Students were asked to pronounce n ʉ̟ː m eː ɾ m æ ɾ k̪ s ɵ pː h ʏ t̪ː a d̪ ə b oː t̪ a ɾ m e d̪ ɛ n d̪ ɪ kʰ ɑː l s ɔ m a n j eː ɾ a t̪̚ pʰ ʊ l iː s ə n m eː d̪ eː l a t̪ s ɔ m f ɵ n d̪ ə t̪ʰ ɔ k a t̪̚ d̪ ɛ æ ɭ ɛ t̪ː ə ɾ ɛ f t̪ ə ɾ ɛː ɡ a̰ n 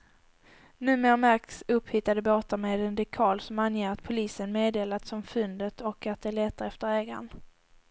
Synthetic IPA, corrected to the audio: n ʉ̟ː m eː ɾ m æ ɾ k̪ s ɵ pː h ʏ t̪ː a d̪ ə b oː t̪ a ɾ m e d̪ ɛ n d̪ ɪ kʰ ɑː l s ɔ m a n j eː ɾ a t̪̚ pʰ ʊ l iː s ə n m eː d̪ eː l a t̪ s ɔ m f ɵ n d̪ ə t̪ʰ ɔ k a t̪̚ d̪ ɛ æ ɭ ɛ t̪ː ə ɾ ɛ f t̪ ə ɾ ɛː ɡ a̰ n

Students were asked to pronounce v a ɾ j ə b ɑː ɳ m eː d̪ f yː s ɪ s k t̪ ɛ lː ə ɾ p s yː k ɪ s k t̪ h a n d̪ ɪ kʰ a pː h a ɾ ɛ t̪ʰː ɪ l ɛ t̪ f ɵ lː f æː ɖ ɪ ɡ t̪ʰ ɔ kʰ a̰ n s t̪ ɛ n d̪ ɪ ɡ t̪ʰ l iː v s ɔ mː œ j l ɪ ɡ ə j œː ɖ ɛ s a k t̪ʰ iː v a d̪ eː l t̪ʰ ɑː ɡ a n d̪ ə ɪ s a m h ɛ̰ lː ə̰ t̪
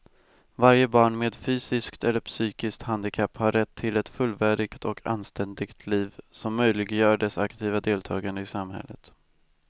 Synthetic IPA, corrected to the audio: v a ɾ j ə b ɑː ɳ m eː d̪ f yː s ɪ s k t̪ ɛ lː ə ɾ p s yː k ɪ s k t̪ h a n d̪ ɪ kʰ a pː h a ɾ ɛ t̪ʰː ɪ l ɛ t̪ f ɵ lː v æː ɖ ɪ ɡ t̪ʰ ɔ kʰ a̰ n s t̪ ɛ n d̪ ɪ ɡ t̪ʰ l iː v s ɔ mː œ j l ɪ ɡ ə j œː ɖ ɛ s a k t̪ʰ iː v a d̪ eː l t̪ʰ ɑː ɡ a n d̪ ə ɪ s a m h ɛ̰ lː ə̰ t̪

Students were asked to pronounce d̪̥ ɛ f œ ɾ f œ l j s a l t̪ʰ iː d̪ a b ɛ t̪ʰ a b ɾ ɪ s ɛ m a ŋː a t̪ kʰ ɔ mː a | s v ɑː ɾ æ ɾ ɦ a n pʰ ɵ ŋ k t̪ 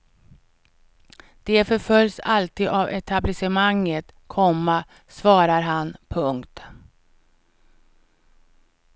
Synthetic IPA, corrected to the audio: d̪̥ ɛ f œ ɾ f œ l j s a l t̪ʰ iː d̪ a v ɛ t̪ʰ a b l ɪ s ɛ m a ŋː ə t̪ kʰ ɔ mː a | s v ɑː ɾ a ɾ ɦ a n pʰ ɵ ŋ k t̪

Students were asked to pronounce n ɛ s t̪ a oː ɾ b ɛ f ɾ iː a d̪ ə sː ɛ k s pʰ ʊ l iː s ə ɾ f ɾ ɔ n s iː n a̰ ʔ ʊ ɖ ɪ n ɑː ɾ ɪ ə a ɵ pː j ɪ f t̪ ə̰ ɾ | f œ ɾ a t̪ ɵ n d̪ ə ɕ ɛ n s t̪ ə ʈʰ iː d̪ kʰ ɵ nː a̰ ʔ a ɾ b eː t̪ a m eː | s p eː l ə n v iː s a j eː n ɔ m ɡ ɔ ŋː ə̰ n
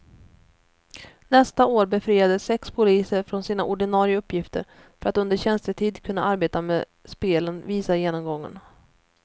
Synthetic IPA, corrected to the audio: n ɛ s t̪ a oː ɾ b ɛ f ɾ iː a d̪ ə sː ɛ k s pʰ ʊ l iː s ə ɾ f ɾ ɔ n s iː n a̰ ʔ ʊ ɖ ɪ n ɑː ɾ ɪ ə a ɵ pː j ɪ f t̪ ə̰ ɾ | f œ ɾ a t̪ ɵ n d̪ ə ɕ ɛ n s t̪ ə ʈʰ iː d̪ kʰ ɵ nː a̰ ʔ a ɾ b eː t̪ a m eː | s p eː l ə n v iː s a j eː n ɔ m ɡ ɔ ŋː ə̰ n

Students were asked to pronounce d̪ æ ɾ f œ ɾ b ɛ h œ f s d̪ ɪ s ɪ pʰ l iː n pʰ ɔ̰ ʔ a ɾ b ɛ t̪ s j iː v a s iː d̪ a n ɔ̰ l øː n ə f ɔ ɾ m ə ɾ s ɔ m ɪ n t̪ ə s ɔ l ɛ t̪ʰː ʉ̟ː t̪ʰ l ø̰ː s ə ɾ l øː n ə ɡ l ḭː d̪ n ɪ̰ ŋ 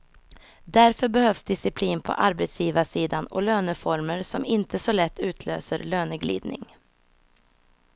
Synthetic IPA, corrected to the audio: d̪ æ ɾ f œ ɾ b ɛ h œ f s d̪ ɪ s ɪ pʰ l iː n pʰ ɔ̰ ʔ a ɾ b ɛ t̪ s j iː v a s iː d̪ a n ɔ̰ l øː n ə f ɔ ɾ m ə ɾ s ɔ m ɪ n t̪ ə s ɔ l ɛ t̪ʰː ʉ̟ː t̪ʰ l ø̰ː s ə ɾ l øː n ə ɡ l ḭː d̪ n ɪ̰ ŋ

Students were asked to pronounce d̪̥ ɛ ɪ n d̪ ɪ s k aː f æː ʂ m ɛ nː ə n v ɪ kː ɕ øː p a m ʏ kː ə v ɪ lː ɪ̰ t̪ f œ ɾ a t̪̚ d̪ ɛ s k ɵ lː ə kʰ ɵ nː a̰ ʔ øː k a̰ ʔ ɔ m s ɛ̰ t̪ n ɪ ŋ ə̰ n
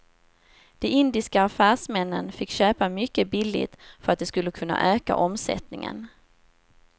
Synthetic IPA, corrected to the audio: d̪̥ ɛ ɪ n d̪ ɪ s k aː f æː ʂ m ɛ nː ə n f ɪ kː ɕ øː p a m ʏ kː ə b ɪ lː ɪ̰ t̪ f œ ɾ a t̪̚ d̪ ɛ s k ɵ lː ə kʰ ɵ nː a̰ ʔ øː k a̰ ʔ ɔ m s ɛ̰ t̪ n ɪ ŋ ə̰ n

